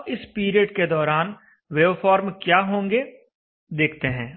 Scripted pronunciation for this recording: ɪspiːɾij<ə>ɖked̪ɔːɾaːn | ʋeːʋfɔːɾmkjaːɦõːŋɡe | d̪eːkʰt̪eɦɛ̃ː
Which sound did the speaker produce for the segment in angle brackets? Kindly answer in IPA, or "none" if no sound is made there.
ə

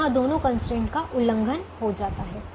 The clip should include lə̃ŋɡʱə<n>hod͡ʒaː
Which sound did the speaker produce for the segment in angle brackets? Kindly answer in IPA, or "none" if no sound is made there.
n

